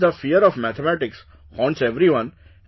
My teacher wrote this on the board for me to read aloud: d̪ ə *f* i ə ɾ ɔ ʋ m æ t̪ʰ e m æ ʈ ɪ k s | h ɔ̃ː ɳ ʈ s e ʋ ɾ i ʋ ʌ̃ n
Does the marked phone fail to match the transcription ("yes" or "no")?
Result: no